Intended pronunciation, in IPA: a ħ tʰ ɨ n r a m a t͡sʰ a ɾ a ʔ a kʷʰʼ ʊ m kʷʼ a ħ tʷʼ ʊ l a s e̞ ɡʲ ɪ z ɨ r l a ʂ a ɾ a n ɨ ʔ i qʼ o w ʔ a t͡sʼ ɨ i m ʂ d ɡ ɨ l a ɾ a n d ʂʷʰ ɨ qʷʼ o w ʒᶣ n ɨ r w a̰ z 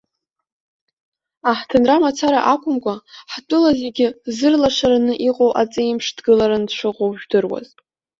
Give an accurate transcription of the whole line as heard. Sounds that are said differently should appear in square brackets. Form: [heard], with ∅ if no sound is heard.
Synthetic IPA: a ħ tʰ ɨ n r a m a t͡sʰ a ɾ a ʔ a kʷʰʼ ʊ m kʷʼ a ħ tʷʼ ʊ l a [z] e̞ ɡʲ ɪ z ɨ r l a ʂ a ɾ a n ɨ ʔ i qʼ o w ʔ a t͡sʼ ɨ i m ʂ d ɡ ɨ l a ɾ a n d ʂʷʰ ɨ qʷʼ o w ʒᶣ [d] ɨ r w a̰ z